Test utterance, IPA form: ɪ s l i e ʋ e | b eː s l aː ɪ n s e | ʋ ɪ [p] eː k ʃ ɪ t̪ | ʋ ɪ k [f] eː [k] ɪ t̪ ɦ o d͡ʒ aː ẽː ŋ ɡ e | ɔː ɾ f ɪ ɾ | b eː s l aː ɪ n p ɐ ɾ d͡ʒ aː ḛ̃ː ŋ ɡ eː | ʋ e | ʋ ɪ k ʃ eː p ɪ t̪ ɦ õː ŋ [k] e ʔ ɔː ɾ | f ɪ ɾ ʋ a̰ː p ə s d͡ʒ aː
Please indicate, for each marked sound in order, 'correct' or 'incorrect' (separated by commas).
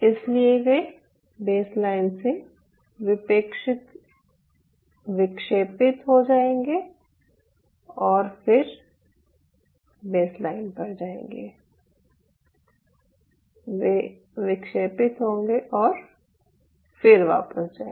correct, incorrect, incorrect, incorrect